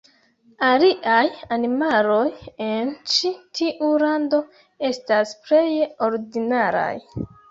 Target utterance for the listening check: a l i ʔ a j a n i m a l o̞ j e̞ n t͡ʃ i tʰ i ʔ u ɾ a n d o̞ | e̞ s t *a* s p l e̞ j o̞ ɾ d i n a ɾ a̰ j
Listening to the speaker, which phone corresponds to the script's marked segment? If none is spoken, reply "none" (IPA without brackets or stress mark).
a